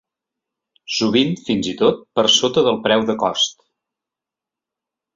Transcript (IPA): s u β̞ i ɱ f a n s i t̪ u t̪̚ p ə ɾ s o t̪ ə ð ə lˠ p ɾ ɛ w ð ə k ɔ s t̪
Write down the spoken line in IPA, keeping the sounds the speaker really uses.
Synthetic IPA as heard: s u β̞ i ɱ f i n z i t̪ o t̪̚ p ə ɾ s o t̪ ə ð ə lˠ p ɾ ɛ w ð ə k ɔ s t̪

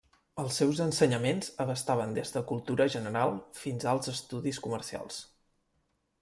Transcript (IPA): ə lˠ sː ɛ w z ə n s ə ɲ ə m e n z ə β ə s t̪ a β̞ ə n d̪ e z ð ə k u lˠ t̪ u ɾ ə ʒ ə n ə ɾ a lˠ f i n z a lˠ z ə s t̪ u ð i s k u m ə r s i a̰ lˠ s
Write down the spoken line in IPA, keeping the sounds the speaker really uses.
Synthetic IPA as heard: ə lˠ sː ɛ w z ə n s ə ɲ ə m e n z ə β ə s t̪ a β̞ ə n d̪ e z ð ə k u lˠ t̪ u ɾ ə ʒ ə n ə ɾ a lˠ f i n z a lˠ z ə s t̪ u ð i s k u m ə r s i a̰ lˠ s

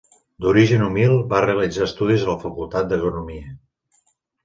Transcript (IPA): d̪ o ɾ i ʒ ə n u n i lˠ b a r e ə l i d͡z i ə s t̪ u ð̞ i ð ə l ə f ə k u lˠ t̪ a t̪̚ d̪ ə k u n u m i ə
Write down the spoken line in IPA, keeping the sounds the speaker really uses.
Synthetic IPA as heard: d̪ u ɾ i ʒ ə n u m i lˠ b a r e ə l i d͡z a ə s t̪ u ð̞ i z ə l ə f ə k u lˠ t̪ a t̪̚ d̪ ə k u n u m i ə

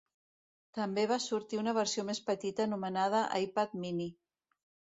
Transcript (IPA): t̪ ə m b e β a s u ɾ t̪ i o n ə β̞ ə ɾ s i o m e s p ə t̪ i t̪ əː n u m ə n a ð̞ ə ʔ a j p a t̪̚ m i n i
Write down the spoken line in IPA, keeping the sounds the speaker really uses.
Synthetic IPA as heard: t̪ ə m b e β a s u ɾ t̪ i u n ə β̞ ə ɾ s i o m e s p ə t̪ i t̪ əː n u m ə n a ð̞ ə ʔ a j p a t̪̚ m i n i

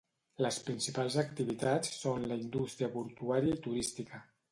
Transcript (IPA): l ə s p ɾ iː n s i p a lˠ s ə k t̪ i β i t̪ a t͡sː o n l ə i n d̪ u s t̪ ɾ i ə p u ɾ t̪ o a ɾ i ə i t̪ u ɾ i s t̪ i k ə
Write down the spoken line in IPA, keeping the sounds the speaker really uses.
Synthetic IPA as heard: l ə s p ɾ i n s i p a lˠ z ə k t̪ i β i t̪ a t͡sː o n l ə i n d̪ u s t̪ ɾ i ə p u ɾ t̪ u a ɾ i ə i t̪ u ɾ i s t̪ i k ə

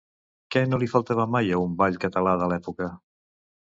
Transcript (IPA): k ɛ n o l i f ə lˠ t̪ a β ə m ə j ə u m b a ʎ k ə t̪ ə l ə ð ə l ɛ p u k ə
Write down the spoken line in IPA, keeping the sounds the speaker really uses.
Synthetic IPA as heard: k ɛ n o l i f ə lˠ t̪ a β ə m a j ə u m b a ʎ k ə t̪ ə l a ð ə l ɛ p u k ə

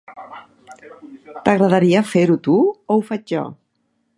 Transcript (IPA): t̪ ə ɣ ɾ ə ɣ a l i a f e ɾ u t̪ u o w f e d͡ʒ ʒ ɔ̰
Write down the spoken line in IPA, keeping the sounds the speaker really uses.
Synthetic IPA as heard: t̪ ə ɣ ɾ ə ð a ɾ i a f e ɾ u t̪ u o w f a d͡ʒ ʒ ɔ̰

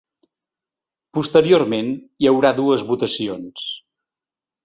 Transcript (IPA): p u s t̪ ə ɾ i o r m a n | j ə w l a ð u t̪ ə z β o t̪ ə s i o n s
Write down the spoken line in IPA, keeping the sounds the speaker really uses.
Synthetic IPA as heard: p u s t̪ ə ɾ i o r m e n | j ə w ɾ a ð u ə z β u t̪ ə s i o n s

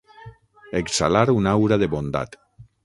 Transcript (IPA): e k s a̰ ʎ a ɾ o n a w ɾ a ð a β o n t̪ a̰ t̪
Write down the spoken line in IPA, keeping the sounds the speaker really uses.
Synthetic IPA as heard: e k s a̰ l a ɾ u n a w ɾ a ð e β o n d̪ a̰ t̪

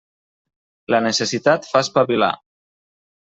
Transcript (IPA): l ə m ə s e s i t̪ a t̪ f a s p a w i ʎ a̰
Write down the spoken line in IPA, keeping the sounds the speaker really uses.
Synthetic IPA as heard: l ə n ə s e s i t̪ a t̪ f a s p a β i l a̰

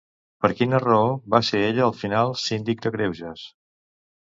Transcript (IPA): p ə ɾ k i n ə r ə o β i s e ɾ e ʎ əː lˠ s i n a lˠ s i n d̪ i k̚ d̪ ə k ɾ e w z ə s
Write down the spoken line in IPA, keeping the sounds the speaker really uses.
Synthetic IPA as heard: p ə ɾ k i n ə r ə o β a s e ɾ e ʎ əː lˠ f i n a lˠ s i n d̪ i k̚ d̪ ə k ɾ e w ʒ ə s

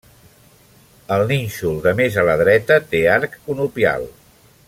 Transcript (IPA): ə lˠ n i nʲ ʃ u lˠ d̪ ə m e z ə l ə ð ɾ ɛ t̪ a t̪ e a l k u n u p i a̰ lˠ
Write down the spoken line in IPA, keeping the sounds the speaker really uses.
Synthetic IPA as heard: ə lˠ n i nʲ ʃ u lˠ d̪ ə m e z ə l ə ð ɾ ɛ t̪ ə t̪ e a ɾ k u n u p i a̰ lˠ

